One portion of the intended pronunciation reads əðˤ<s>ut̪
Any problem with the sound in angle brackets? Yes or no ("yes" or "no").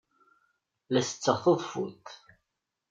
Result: yes